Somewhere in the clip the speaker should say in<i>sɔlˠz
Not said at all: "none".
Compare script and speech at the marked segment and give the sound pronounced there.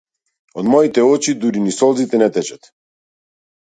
i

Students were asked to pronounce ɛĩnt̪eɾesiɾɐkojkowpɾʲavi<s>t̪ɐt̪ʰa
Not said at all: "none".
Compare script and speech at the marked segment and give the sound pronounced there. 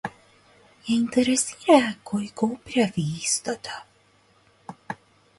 s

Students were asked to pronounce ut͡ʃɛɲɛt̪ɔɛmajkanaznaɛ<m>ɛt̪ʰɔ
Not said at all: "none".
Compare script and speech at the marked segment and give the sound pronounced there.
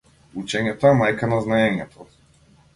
ɲ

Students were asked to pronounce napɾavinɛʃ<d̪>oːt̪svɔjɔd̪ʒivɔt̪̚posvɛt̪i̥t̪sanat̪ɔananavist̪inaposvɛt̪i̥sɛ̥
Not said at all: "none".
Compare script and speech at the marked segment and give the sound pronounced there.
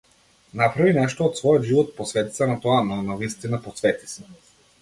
t̪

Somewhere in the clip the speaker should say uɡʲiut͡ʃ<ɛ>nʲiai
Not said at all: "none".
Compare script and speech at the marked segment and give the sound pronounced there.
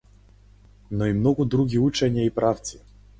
ɛ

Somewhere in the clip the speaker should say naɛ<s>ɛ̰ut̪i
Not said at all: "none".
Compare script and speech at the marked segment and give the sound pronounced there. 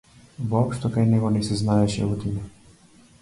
ʃ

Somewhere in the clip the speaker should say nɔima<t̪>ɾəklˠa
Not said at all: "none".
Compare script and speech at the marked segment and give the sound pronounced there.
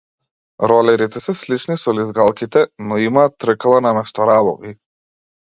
t̪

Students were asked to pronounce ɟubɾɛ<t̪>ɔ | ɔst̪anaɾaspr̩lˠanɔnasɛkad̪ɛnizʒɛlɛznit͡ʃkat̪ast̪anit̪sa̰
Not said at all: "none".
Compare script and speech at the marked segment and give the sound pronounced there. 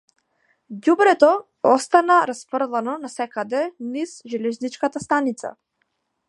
t̪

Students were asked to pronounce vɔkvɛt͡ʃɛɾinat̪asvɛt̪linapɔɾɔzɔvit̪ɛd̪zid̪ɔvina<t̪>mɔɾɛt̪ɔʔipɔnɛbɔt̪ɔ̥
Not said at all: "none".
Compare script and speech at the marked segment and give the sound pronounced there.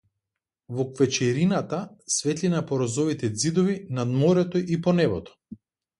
d̪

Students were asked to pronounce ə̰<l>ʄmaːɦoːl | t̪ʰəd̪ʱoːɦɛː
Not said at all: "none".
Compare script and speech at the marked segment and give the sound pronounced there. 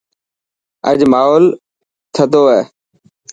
none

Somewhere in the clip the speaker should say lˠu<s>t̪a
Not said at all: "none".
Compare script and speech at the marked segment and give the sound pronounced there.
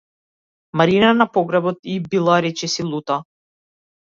none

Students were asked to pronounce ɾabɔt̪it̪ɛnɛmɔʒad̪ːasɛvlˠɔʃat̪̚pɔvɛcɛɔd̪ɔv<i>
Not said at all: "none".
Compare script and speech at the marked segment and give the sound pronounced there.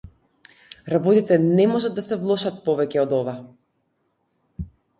a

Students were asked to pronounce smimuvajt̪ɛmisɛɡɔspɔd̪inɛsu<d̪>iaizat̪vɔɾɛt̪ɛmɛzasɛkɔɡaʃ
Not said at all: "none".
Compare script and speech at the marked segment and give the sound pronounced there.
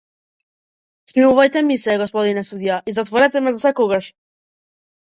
d̪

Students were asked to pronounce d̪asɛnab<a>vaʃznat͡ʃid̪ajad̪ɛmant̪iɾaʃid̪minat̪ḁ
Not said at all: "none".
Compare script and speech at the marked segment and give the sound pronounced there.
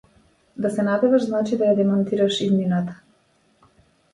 ɛ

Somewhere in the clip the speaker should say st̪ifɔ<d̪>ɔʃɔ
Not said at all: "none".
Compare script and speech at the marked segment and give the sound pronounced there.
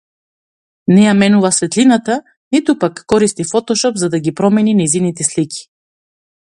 t̪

